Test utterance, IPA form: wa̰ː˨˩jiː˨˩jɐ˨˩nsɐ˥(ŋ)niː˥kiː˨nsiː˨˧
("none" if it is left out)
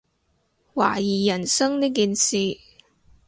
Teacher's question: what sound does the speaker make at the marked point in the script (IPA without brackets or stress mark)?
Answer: ŋ